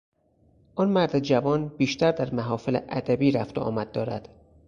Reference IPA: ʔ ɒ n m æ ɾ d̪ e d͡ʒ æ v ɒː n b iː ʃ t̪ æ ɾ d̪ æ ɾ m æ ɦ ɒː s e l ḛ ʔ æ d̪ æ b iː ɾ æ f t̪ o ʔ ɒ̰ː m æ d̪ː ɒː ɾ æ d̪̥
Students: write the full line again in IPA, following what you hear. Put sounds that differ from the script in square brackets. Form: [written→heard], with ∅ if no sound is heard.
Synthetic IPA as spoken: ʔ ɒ n m æ ɾ d̪ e d͡ʒ æ v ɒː n b iː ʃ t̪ æ ɾ d̪ æ ɾ m æ ɦ ɒː [s→f] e l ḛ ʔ æ d̪ æ b iː ɾ æ f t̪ o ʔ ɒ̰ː m æ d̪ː ɒː ɾ æ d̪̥